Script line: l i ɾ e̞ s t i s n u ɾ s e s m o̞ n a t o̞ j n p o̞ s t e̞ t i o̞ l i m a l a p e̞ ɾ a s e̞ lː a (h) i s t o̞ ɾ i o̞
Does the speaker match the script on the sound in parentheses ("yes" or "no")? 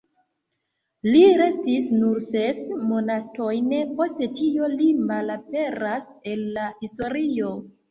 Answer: yes